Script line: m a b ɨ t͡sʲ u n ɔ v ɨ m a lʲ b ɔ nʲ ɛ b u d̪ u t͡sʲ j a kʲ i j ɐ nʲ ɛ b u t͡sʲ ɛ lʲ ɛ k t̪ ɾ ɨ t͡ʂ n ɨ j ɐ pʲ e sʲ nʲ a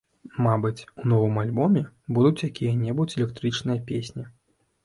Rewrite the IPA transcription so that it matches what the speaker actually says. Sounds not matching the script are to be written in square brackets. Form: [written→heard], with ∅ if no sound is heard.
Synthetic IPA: m a b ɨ t͡sʲ u n ɔ v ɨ m a lʲ b ɔ [nʲ→mʲ] ɛ b u d̪ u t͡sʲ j a kʲ i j ɐ nʲ ɛ b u t͡sʲ ɛ lʲ ɛ k t̪ ɾ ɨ t͡ʂ n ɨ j ɐ pʲ e sʲ nʲ [a→i]